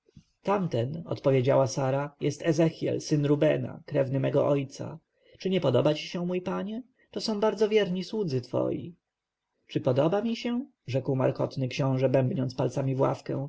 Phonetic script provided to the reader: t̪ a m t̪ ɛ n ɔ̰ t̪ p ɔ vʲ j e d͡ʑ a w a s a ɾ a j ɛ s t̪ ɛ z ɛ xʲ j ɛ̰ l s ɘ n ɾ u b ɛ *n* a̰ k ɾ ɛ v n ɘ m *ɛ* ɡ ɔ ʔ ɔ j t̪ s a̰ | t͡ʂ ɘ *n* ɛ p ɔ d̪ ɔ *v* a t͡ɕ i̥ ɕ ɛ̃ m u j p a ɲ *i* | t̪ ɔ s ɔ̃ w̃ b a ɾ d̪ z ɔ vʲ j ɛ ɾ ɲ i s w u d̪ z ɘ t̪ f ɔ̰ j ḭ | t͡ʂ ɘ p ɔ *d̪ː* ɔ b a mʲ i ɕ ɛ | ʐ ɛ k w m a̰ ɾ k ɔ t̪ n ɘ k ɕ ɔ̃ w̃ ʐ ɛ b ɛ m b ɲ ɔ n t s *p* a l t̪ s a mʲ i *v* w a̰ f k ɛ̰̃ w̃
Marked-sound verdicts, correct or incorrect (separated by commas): correct, correct, incorrect, incorrect, incorrect, incorrect, correct, correct